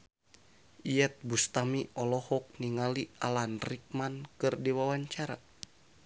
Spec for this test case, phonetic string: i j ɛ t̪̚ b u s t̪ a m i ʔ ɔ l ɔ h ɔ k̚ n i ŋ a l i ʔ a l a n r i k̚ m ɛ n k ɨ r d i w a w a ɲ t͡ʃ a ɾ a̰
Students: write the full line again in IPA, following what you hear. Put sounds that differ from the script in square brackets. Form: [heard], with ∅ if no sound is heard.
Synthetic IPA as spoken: i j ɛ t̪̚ b u s t̪ a m i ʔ ɔ l ɔ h ɔ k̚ n i ŋ a l i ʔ a l a n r i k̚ m [a] n k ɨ r d i w a w a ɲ t͡ʃ a ɾ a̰

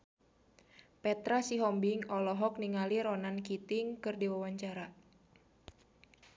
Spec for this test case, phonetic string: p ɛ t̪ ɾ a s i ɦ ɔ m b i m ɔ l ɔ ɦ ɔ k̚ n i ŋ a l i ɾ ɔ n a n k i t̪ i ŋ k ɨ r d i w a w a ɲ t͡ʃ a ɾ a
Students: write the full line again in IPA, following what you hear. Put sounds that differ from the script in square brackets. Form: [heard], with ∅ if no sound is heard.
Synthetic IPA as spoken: p ɛ t̪ ɾ a s i ɦ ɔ m b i [ŋ] ɔ l ɔ ɦ ɔ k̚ n i ŋ a l i ɾ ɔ n a n k i t̪ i ŋ k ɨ r d i w a w a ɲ t͡ʃ a ɾ a

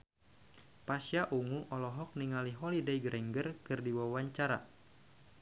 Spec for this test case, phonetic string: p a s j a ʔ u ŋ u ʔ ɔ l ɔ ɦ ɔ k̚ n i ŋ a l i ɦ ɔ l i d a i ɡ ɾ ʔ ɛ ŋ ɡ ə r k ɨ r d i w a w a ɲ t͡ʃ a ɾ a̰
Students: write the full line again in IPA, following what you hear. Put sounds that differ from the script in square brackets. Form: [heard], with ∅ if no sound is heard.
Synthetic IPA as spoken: p a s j a ʔ u ŋ u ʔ ɔ l ɔ ɦ ɔ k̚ n i ŋ a l i ɦ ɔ l i d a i ɡ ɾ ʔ ɛ ŋ ɡ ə r k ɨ r d i w a w a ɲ t͡ʃ a ɾ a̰

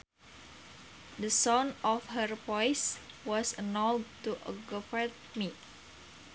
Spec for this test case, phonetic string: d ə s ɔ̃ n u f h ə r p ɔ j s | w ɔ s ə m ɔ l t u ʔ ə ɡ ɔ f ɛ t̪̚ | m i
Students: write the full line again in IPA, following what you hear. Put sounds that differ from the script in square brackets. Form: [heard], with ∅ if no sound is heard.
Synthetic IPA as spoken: d ə s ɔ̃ n [ɔ] f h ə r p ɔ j s | w ɔ s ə [n] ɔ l t u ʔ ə ɡ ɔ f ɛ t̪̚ | m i

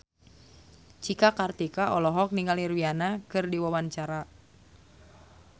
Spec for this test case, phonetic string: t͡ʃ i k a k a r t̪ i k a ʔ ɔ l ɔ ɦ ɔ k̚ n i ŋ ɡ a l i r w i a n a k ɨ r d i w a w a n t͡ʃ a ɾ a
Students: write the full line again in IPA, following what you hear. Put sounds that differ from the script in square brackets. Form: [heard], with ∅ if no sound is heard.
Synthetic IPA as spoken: t͡ʃ i k a k a r t̪ i k a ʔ ɔ l ɔ ɦ ɔ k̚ n i ŋ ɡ a l i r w i a n a k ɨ r d i w a w a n t͡ʃ a ɾ a

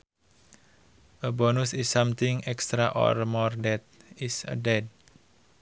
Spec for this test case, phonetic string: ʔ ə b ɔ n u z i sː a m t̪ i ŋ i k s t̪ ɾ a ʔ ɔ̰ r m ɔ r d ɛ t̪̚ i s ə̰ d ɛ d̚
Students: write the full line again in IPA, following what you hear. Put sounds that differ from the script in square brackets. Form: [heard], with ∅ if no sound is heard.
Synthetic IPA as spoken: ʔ ə b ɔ n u [s] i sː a m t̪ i ŋ [ɛ] k s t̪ ɾ a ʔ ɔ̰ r m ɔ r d ɛ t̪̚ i s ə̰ d ɛ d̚

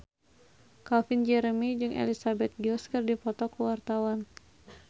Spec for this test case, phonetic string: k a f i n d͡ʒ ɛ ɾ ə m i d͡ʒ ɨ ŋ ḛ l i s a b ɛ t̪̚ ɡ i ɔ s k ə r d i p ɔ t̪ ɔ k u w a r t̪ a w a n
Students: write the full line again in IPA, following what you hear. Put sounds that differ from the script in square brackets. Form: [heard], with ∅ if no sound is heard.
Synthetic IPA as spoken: k a f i n d͡ʒ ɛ ɾ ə m i d͡ʒ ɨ ŋ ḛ l i s a b ɛ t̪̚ ɡ i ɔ s k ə r d i p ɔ t̪ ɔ k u w a r t̪ a w a n

